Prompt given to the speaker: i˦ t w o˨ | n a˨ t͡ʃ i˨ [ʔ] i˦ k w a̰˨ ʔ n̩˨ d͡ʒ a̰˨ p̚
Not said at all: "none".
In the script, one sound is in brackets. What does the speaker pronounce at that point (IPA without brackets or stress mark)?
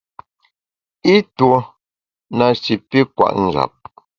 p